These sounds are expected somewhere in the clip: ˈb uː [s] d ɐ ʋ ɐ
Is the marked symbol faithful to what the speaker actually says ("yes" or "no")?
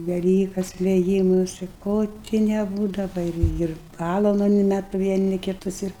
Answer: no